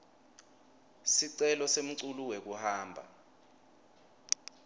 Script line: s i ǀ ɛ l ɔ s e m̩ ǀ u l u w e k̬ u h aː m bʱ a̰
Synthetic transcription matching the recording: s i ǀ ɛ l ɔ s e m̩ ǀ u l u w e k̬ u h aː m bʱ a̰